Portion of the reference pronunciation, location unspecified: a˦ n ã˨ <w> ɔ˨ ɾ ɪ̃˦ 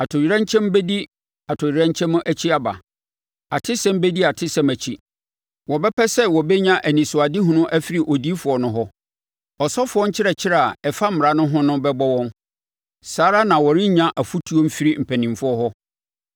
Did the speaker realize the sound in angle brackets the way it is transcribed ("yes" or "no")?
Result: yes